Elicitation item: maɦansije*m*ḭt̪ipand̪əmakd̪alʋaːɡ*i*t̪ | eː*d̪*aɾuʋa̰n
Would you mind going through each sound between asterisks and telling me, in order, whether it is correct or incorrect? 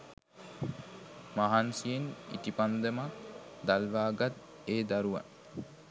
incorrect, incorrect, correct

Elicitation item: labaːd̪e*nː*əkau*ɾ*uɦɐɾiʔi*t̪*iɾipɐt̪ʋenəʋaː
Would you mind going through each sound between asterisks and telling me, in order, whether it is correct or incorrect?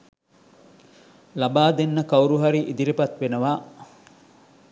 correct, correct, incorrect

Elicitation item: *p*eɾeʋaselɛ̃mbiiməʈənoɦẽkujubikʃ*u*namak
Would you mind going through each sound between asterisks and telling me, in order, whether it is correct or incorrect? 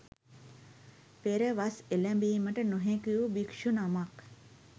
correct, correct

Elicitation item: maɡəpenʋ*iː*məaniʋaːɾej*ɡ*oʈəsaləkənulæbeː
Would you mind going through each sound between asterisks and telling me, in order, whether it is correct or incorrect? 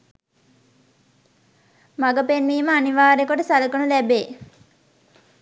correct, incorrect

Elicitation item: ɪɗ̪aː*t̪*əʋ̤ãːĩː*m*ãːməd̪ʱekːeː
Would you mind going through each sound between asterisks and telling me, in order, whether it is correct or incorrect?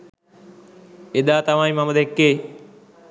correct, correct

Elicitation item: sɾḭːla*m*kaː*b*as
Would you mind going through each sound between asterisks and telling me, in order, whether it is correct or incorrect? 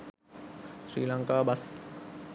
incorrect, correct

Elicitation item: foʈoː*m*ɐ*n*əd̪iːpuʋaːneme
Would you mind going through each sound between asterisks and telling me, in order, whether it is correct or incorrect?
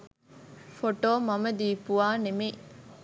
correct, incorrect

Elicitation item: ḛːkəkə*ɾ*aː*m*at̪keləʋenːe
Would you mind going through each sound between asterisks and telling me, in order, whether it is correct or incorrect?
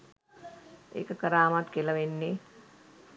correct, correct

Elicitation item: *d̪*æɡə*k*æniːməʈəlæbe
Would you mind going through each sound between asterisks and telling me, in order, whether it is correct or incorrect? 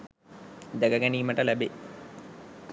correct, incorrect

